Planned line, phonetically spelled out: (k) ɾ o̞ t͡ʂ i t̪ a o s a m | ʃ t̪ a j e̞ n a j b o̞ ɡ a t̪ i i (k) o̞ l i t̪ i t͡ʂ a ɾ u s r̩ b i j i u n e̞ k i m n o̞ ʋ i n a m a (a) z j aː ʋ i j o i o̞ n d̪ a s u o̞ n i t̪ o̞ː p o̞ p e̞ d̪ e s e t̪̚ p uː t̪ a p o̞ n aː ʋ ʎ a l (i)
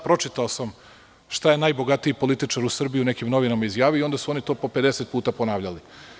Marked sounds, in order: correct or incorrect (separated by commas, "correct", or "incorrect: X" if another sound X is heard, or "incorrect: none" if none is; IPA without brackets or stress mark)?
incorrect: p, incorrect: p, incorrect: i, correct